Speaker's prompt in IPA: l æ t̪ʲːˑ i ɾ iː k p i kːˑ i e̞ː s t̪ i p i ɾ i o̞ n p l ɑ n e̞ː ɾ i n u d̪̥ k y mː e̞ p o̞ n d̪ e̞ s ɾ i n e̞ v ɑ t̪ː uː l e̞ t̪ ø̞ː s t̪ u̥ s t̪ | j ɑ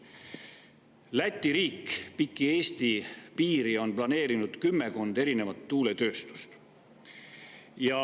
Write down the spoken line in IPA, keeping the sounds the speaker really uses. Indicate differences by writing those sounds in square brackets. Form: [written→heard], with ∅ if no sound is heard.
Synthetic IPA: l æ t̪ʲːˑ i ɾ iː k p i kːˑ i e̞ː s t̪ i p [i→iː] ɾ i o̞ n p l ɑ n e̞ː ɾ i n u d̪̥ k y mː e̞ [p→k] o̞ n d̪ e̞ [s→∅] ɾ i n e̞ v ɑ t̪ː uː l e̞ t̪ ø̞ː s t̪ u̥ s t̪ | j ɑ